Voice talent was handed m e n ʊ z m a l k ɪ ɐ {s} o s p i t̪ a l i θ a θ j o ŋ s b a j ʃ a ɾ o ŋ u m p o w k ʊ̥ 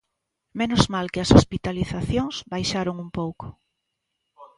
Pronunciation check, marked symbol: correct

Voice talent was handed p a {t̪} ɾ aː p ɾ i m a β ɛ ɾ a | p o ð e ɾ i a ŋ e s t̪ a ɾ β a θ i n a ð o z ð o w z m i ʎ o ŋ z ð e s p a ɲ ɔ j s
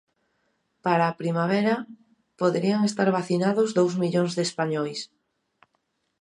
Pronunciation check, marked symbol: incorrect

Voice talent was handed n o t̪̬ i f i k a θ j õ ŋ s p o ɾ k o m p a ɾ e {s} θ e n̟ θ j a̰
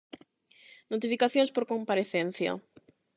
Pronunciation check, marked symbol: incorrect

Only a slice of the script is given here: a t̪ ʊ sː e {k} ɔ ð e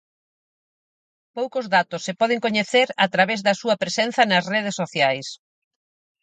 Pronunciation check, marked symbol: incorrect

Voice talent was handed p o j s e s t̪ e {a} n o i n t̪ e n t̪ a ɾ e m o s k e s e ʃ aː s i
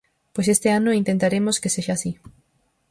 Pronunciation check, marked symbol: correct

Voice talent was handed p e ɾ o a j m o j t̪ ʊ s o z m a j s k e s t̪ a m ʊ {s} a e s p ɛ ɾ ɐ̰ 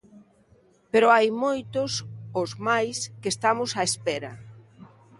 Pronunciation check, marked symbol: correct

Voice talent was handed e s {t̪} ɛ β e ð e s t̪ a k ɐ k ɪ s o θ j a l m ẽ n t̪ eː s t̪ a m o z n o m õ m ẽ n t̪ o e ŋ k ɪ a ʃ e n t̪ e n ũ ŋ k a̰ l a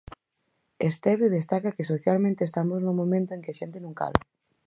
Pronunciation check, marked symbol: correct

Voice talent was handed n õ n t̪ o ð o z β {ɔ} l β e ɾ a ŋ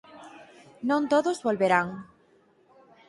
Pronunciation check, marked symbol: incorrect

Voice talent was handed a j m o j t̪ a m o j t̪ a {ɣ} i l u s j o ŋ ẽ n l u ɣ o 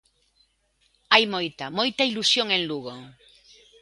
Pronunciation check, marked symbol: incorrect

